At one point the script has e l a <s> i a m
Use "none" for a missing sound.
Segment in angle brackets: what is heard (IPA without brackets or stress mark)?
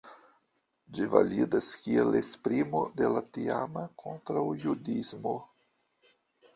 t